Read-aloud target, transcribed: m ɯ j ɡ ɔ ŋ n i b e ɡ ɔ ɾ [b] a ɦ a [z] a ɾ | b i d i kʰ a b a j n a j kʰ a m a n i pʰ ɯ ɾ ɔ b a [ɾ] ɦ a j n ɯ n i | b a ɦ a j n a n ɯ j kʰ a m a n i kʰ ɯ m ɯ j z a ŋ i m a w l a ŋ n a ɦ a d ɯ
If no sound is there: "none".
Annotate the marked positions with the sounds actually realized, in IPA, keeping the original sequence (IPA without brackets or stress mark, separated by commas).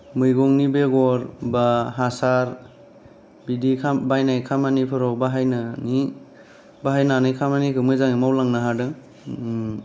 b, s, none